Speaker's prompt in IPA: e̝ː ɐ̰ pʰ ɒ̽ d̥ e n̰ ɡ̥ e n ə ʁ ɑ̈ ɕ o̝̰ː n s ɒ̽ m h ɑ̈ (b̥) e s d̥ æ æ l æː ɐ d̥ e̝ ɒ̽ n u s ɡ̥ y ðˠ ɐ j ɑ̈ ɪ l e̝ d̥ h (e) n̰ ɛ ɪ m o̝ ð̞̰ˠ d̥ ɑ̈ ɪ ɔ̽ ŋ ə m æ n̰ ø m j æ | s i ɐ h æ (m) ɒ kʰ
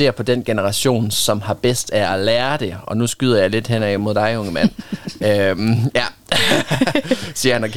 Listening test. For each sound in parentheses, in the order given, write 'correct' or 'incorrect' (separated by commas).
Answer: correct, correct, incorrect